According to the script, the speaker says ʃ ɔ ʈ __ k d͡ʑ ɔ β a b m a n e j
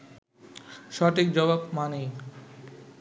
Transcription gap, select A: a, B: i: B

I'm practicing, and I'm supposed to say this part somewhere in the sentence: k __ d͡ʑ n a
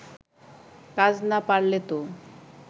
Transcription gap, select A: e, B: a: B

